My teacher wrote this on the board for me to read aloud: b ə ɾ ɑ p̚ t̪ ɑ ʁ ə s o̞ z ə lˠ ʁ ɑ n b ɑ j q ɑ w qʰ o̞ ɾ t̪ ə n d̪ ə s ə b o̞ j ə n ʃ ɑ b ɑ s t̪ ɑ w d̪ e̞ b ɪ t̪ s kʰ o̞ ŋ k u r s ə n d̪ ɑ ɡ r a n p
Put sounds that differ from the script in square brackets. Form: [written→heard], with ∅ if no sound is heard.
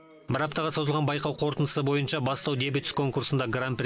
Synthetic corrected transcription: b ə ɾ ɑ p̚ t̪ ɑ ʁ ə s o̞ z ə lˠ ʁ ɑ n b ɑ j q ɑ w qʰ o̞ ɾ t̪ ə n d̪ ə s ə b o̞ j ə n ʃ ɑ b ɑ s t̪ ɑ w d̪ e̞ b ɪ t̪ s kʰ o̞ ŋ k u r s ə n d̪ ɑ ɡ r a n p